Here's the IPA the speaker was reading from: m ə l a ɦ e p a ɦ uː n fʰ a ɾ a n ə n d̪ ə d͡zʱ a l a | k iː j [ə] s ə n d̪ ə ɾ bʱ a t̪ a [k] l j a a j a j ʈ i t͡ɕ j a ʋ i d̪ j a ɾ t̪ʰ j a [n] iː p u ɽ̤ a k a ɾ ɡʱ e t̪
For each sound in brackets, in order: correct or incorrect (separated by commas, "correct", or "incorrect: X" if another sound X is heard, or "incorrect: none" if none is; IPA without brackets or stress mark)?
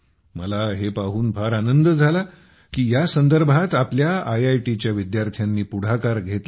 incorrect: a, incorrect: p, incorrect: nː